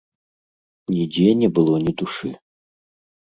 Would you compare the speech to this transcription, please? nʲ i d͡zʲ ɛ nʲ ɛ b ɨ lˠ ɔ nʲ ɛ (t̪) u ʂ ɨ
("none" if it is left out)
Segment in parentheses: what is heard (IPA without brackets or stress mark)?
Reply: d̪